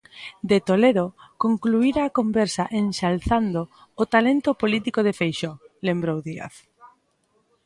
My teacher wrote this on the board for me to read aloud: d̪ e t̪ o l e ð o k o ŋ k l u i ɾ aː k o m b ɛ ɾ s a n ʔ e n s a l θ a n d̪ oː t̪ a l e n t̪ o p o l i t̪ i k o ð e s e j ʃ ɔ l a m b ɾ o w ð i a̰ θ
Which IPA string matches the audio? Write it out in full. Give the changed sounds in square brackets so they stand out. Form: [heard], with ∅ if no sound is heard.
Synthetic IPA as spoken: d̪ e t̪ o l e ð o k o ŋ k l u i ɾ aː k o m b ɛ ɾ s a [∅] ʔ e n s a l θ a n d̪ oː t̪ a l e n t̪ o p o l i t̪ i k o ð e [f] e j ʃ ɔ l [e] m b ɾ o w ð i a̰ θ